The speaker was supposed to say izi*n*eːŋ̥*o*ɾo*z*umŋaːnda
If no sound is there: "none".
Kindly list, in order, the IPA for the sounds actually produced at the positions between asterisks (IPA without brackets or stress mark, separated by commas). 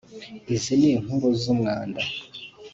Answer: n, u, z